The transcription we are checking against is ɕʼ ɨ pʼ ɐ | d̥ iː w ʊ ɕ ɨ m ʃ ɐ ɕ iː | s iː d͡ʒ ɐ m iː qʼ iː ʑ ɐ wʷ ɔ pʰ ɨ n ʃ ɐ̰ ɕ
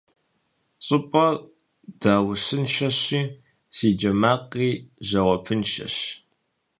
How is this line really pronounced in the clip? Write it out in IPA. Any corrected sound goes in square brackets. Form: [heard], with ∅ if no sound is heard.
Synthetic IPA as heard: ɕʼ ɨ pʼ ɐ | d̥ [aː] w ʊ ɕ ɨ [n] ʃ ɐ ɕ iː | s iː d͡ʒ ɐ m [aː] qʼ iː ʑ ɐ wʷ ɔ pʰ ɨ n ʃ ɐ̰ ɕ